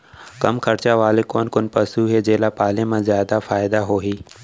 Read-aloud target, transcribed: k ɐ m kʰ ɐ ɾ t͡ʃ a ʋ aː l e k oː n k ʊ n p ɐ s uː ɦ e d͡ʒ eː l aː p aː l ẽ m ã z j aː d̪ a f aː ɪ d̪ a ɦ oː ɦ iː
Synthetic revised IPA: k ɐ m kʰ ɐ ɾ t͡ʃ a ʋ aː l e k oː n k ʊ n p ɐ s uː ɦ e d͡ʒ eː l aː p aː l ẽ m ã z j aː d̪ a f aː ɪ d̪ a ɦ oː ɦ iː